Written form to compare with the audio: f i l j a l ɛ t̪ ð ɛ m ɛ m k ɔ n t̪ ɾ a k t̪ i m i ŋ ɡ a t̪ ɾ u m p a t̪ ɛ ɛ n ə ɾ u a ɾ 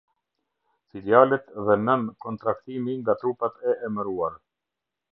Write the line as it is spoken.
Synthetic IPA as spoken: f i l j a l ɛ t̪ ð ɛ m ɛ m k ɔ n t̪ ɾ a k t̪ i m i ŋ ɡ a t̪ ɾ u p a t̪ ɛ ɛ m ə ɾ u a ɾ